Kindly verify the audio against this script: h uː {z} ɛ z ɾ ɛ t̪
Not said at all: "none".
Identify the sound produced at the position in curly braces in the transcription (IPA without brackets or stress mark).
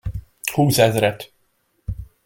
s